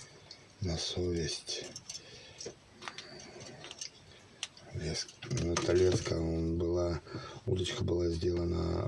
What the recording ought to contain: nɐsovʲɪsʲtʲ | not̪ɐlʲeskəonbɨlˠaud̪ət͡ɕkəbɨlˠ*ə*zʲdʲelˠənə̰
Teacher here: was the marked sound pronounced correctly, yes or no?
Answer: no